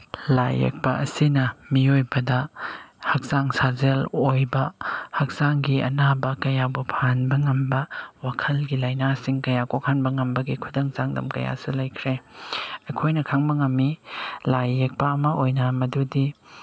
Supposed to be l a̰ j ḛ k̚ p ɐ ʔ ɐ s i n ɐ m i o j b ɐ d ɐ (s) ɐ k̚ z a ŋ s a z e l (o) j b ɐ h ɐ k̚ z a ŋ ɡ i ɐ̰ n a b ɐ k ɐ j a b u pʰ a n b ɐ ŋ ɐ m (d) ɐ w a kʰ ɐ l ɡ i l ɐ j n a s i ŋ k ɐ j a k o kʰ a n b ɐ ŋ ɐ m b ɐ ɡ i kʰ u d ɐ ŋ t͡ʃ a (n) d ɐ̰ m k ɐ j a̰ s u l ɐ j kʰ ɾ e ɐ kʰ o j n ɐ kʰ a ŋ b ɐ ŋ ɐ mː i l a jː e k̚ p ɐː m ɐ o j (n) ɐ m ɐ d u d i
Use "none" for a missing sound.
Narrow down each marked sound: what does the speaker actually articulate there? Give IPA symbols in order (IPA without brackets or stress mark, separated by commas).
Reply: h, o, b, ŋ, n